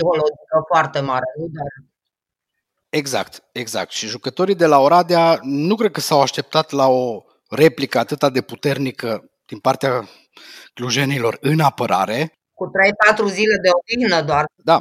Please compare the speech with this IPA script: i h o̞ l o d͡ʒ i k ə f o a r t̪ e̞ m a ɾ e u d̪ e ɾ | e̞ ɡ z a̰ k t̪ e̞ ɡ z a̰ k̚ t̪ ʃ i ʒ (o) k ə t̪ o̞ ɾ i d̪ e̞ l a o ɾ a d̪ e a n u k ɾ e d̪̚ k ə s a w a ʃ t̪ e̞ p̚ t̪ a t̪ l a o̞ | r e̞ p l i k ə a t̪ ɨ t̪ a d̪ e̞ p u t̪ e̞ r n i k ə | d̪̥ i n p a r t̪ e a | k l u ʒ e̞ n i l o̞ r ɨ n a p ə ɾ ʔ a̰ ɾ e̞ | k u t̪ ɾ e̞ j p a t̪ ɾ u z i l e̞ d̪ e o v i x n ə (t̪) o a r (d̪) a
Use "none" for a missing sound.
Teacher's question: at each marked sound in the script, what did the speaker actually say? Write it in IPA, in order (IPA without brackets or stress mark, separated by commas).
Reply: u, d̪, d̪